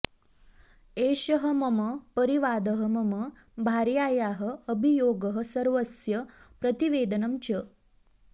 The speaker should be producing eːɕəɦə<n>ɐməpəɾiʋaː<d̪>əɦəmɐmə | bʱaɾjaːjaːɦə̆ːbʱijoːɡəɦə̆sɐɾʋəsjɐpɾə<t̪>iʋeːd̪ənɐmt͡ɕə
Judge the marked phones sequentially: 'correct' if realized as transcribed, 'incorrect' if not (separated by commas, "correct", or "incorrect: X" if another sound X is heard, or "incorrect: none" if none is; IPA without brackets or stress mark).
incorrect: m, correct, correct